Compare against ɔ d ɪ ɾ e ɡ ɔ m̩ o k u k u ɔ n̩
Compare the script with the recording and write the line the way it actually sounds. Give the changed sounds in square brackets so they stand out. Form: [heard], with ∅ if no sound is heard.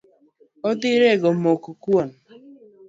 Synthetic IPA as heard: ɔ d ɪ ɾ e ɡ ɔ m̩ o k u k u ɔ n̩